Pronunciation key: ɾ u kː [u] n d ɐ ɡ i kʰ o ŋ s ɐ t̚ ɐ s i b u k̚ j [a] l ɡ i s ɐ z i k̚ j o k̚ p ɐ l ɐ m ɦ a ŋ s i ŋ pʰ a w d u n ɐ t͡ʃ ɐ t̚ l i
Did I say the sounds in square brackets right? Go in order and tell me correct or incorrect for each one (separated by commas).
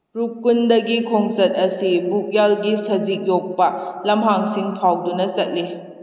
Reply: correct, correct